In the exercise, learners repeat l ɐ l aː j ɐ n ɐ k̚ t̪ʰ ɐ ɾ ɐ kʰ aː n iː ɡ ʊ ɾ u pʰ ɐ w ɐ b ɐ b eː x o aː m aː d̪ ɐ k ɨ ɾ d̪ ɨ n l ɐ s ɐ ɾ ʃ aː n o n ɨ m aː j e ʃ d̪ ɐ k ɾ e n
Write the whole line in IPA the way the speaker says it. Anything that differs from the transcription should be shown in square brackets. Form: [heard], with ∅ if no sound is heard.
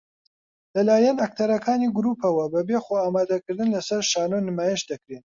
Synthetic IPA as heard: l ɐ l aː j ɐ n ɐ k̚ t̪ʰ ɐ ɾ ɐ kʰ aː n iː ɡ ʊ ɾ u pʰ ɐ w ɐ b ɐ b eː x o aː m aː d̪ ɐ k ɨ ɾ d̪ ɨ n l ɐ s ɐ ɾ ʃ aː n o n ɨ m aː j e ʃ d̪ ɐ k ɾ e n